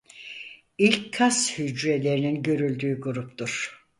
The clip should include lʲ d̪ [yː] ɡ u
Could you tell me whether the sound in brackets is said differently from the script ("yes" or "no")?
no